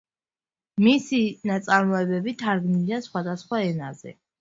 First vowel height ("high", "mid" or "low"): high